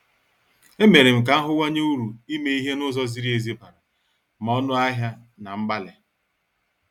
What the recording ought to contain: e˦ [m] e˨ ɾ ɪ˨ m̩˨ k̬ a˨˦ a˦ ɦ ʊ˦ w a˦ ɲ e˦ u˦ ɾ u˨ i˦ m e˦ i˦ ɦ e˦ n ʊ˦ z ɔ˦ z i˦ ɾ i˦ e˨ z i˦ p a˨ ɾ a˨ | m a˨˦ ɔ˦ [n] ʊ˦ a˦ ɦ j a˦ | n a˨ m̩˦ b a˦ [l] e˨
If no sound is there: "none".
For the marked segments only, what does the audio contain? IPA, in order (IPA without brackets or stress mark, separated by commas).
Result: m, n, l